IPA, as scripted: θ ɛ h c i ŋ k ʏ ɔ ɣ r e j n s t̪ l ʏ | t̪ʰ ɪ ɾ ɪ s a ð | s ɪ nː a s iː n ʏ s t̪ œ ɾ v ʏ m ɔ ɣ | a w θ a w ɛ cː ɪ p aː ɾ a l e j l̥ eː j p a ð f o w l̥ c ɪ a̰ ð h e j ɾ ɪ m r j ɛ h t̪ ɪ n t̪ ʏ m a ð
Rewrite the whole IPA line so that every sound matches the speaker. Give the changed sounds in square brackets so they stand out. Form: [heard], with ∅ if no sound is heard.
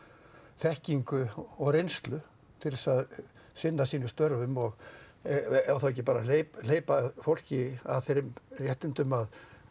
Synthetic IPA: θ ɛ h c i ŋ k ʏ ɔ ɣ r e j n s t̪ l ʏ | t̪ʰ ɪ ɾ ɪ s a ð | s ɪ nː a s iː n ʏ s t̪ œ ɾ v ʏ m ɔ ɣ | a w θ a w ɛ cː ɪ p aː ɾ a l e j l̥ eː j p a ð f o w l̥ c ɪ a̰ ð [θ] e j ɾ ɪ m r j ɛ h t̪ ɪ n t̪ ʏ m a ð

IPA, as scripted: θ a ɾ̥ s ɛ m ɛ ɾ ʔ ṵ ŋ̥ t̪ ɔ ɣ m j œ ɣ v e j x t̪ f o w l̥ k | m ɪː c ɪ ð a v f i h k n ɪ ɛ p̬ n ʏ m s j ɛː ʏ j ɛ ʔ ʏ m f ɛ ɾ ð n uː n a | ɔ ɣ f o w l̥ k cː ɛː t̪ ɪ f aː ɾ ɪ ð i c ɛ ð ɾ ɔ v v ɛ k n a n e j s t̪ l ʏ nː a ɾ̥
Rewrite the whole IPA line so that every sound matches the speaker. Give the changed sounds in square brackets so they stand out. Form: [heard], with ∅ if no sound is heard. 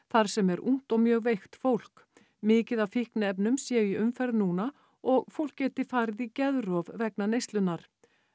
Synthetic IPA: θ a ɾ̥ s ɛ m ɛ ɾ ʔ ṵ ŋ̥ t̪ ɔ ɣ m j [œː] ɣ v e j x t̪ f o w l̥ k | m ɪː c ɪ ð a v f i h k n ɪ ɛ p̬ n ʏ m s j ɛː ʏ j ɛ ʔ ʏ m f ɛ ɾ ð n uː n a | ɔ ɣ f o w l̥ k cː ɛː t̪ ɪ f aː ɾ ɪ ð i c ɛ ð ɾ ɔ v v ɛ k n a n e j s t̪ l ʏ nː a ɾ̥

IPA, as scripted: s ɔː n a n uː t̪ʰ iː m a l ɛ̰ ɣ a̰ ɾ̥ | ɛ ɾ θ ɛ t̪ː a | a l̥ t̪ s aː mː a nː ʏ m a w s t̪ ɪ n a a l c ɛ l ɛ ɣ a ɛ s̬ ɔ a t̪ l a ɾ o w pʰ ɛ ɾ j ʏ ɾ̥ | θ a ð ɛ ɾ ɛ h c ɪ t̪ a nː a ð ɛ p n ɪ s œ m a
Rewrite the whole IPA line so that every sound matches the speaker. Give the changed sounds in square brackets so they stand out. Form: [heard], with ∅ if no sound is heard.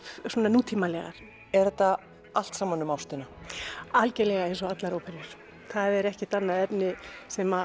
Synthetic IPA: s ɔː n a n uː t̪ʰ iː m a l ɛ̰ ɣ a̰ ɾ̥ | ɛ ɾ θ ɛ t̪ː a | a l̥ t̪ s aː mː a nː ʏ m a w s t̪ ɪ n a a l c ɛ l ɛ ɣ a ɛ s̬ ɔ a t̪ l a ɾ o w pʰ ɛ ɾ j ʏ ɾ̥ | θ a ð ɛ ɾ ɛ h c ɪ t̪ a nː a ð ɛ p n ɪ s [ɛ] m a

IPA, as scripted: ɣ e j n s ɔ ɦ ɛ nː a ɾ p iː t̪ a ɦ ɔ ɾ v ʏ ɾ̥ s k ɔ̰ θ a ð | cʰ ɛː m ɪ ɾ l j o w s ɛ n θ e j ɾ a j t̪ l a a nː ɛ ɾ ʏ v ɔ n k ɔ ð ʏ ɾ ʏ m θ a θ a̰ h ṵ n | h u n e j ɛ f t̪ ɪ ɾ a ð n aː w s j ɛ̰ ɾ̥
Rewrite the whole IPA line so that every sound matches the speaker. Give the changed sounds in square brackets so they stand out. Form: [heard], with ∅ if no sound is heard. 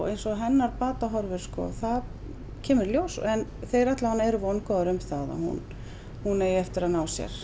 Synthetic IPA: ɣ e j n s ɔ ɦ ɛ nː a ɾ p [aː] t̪ a ɦ ɔ ɾ v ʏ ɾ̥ s k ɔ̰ θ a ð | cʰ ɛː m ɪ ɾ l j o w s ɛ n θ e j ɾ a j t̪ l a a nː ɛ ɾ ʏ v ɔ n k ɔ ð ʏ ɾ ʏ m θ a [ð] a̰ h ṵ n | h u n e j ɛ f t̪ ɪ ɾ a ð n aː w s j ɛ̰ ɾ̥

